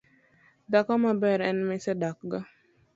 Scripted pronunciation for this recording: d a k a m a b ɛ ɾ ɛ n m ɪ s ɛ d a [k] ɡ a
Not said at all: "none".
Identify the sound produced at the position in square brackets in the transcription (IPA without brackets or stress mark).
k